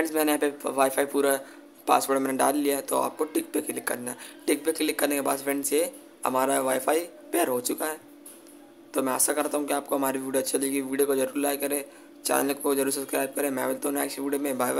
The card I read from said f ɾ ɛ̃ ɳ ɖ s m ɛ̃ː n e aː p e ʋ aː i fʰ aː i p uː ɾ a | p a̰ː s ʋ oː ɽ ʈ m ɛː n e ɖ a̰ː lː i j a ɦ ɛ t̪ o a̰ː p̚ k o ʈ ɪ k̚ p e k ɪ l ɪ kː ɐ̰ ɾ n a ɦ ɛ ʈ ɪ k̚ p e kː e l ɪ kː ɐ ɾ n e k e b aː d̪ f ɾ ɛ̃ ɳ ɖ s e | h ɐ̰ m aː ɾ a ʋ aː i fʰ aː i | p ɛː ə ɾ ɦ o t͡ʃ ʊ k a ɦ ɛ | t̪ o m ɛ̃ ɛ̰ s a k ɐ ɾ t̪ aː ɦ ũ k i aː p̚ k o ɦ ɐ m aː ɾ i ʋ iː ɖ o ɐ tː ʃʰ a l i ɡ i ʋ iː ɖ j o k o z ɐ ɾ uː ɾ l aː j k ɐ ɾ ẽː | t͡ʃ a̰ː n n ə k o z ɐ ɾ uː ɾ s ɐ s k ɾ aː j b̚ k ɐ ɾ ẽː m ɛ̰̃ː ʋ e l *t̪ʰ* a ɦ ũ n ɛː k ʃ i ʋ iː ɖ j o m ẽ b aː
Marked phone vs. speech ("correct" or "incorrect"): incorrect